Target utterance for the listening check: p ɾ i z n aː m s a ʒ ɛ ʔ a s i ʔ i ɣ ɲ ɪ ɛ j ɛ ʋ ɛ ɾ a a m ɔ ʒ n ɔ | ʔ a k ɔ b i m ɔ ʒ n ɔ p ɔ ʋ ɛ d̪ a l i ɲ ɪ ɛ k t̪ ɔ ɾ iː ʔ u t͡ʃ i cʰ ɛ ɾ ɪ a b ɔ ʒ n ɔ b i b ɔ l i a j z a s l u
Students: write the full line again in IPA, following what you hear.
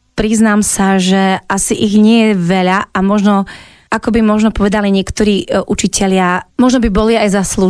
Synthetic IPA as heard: p ɾ i z n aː m s a ʒ ɛ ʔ a s i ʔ i ɣ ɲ ɪ ɛ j ɛ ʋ ɛ ʎ a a m ɔ ʒ n ɔ | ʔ a k ɔ b i m ɔ ʒ n ɔ p ɔ ʋ ɛ d̪ a l i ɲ ɪ ɛ k t̪ ɔ ɾ iː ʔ u t͡ʃ i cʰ ɛ ʎ ɪ a m ɔ ʒ n ɔ b i b ɔ l i a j z a s l u